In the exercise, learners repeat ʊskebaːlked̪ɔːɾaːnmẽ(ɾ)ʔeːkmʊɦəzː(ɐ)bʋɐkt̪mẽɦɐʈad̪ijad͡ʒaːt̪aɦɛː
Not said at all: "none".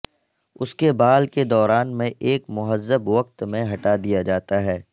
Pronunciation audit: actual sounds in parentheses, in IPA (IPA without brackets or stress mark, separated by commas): none, ə